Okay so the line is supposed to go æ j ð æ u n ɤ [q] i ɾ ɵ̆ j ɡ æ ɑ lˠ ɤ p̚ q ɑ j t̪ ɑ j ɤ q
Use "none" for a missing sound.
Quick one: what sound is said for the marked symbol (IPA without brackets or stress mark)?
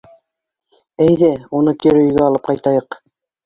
k